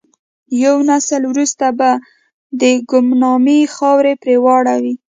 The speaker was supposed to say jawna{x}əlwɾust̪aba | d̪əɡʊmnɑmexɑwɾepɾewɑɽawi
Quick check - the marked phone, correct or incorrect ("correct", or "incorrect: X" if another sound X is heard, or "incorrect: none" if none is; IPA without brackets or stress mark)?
incorrect: s